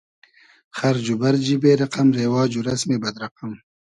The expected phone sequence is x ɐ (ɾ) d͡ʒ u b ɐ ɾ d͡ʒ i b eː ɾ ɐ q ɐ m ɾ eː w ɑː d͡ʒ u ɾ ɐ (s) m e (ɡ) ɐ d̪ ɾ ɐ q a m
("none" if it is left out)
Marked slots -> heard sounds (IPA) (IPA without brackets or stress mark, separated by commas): ɾ, s, b